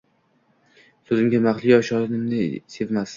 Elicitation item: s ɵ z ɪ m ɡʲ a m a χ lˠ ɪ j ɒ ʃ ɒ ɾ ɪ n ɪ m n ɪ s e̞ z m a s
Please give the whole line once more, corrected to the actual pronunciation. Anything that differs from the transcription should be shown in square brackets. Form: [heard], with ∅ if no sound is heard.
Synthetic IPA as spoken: s ɵ z ɪ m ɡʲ a m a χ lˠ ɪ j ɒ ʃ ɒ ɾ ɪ n ɪ m n ɪ s e̞ [v] m a s